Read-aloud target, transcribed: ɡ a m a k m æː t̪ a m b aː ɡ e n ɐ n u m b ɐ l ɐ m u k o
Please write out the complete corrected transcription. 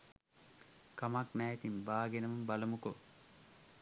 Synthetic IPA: k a m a k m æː t̪ i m b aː ɡ e n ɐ m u m b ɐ l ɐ m u k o